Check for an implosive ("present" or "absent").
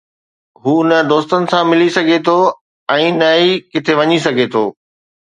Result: absent